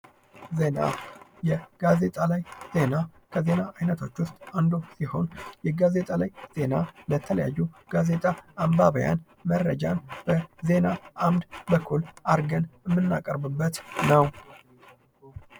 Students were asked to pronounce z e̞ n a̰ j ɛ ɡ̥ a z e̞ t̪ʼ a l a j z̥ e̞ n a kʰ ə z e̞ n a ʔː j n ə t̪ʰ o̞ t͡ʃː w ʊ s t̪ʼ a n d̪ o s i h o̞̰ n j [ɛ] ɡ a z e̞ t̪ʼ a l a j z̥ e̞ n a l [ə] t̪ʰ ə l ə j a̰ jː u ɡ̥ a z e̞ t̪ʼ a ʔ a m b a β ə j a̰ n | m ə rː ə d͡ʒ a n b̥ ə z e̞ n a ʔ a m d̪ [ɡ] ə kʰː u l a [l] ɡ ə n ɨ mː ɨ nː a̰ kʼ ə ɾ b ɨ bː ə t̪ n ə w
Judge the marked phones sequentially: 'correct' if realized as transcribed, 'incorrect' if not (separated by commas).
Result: correct, correct, incorrect, incorrect